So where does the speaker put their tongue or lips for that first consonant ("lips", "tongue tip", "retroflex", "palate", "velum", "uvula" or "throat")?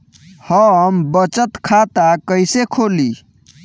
throat